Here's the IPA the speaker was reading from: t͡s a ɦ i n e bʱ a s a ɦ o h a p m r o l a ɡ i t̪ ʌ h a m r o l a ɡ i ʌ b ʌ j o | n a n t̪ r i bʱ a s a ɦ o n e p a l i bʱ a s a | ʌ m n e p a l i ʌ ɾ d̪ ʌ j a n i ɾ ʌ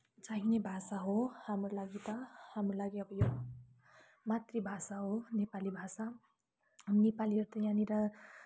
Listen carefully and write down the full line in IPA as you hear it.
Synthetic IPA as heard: t͡s a ɦ i n e bʱ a s a ɦ o h a m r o l a ɡ i t̪ ʌ h a m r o l a ɡ i ʌ b ʌ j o | m a t̪ r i bʱ a s a ɦ o n e p a l i bʱ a s a | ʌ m n e p a l i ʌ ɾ t̪ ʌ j a n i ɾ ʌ